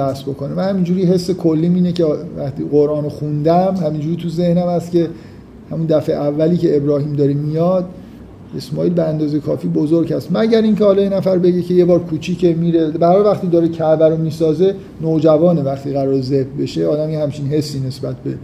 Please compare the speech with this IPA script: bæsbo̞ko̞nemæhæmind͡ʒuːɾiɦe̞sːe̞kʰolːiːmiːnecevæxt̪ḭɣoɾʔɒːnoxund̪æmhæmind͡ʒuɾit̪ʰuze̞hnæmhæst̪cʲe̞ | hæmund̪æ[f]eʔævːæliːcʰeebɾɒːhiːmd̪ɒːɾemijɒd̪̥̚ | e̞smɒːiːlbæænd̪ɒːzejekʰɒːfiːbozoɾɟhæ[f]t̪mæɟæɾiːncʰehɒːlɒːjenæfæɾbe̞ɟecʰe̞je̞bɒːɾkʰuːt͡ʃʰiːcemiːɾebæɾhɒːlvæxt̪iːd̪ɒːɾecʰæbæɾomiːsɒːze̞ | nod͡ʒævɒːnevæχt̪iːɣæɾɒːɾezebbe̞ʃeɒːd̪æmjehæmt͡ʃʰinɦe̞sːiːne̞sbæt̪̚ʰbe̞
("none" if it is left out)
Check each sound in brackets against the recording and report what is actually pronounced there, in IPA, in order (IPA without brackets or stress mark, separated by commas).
f, s